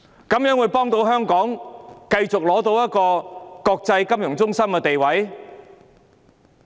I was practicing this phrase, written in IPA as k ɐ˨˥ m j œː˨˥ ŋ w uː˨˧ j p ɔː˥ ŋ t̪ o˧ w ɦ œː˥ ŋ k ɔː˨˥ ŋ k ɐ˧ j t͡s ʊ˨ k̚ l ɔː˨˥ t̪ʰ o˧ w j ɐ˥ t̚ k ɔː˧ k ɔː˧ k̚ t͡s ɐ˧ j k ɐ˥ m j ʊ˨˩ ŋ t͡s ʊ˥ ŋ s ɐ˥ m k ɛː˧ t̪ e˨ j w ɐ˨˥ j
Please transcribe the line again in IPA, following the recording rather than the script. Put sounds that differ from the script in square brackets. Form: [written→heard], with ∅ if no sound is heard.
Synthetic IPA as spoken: k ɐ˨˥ m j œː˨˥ ŋ w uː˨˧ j p ɔː˥ ŋ t̪ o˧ w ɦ œː˥ ŋ k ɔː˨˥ ŋ k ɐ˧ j t͡s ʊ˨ k̚ l ɔː˨˥ [t̪ʰ→t̪] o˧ w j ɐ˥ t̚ k ɔː˧ k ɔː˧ k̚ t͡s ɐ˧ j k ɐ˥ m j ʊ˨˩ ŋ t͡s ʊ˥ ŋ s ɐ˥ m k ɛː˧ t̪ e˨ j w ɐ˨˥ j